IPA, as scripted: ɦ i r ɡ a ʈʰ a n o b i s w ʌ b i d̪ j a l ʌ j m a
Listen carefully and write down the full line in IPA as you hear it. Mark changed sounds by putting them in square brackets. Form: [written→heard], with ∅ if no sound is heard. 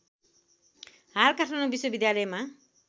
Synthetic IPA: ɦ [i→a] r [ɡ→k] a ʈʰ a n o b i s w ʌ b i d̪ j a l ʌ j m a

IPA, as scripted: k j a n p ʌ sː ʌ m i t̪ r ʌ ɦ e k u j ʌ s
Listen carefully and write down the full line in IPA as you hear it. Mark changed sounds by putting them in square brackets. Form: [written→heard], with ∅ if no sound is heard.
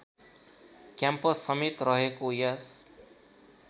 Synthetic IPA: k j a [n→m] p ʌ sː ʌ m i t̪ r ʌ ɦ e k [u→o] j [ʌ→a] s

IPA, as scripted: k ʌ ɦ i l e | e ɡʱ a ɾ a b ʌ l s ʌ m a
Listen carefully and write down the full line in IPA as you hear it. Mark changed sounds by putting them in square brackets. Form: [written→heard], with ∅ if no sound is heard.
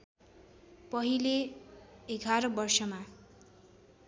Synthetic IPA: [k→p] ʌ ɦ i l e | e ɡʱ a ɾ [a→ʌ] b ʌ [l→r] s ʌ m a

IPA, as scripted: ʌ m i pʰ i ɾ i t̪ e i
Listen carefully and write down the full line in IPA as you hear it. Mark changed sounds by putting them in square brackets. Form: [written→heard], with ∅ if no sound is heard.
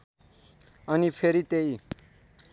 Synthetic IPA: ʌ [m→n] i pʰ [i→e] ɾ i t̪ e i

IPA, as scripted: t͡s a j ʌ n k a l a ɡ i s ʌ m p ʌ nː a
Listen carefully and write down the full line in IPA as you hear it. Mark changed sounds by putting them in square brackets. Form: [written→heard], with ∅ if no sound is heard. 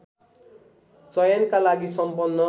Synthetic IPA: t͡s [a→ʌ] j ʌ n k a l a ɡ i s ʌ m p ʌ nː [a→ʌ]

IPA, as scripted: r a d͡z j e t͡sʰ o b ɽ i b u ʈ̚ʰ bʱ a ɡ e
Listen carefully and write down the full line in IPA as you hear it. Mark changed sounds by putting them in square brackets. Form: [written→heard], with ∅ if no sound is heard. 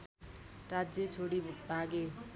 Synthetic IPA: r a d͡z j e t͡sʰ o [b→∅] ɽ i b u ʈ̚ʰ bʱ a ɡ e

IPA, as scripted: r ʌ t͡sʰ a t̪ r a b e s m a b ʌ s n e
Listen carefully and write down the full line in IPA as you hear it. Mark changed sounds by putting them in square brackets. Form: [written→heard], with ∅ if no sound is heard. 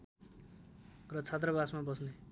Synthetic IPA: r ʌ t͡sʰ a t̪ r [a→ʌ] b [e→a] s m a b ʌ s n e

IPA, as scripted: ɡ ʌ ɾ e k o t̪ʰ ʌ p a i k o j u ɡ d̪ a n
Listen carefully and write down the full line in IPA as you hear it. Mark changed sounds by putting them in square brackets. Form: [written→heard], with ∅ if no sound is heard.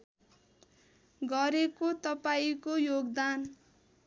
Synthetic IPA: ɡ ʌ ɾ e k o [t̪ʰ→t̪] ʌ p a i k o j [u→o] ɡ d̪ a n

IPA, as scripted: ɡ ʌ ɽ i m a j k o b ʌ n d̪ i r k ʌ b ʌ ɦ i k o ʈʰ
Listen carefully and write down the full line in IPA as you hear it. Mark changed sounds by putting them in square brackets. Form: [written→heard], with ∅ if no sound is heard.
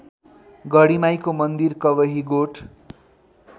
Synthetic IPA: ɡ ʌ ɽ i m a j k o [b→m] ʌ n d̪ i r k ʌ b ʌ ɦ i [k→ɡ] o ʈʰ

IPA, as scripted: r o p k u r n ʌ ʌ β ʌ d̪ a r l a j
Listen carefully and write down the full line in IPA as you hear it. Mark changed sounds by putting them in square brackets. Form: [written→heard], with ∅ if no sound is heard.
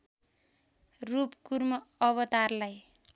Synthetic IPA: r [o→u] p k u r [n→m] ʌ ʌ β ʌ [d̪→t̪] a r l a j

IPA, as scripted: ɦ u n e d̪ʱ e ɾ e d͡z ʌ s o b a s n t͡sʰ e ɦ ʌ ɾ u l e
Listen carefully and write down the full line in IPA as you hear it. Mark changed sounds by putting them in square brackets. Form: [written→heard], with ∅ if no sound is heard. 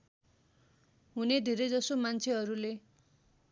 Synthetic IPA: ɦ u n e d̪ʱ e ɾ e d͡z ʌ s o [b→m] a [s→∅] n t͡sʰ e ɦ ʌ ɾ u l e

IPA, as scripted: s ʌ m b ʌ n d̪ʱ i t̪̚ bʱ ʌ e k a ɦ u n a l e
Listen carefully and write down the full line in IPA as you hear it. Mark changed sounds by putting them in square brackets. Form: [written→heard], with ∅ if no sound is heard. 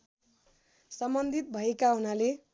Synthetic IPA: s ʌ m b ʌ n d̪ʱ i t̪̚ bʱ ʌ e k a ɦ u n a l e

